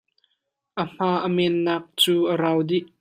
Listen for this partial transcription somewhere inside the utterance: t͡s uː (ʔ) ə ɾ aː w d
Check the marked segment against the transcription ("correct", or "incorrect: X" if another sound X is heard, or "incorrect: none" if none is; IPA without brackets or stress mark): correct